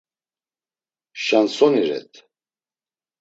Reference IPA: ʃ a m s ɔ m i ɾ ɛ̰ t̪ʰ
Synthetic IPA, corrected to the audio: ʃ a n s ɔ n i ɾ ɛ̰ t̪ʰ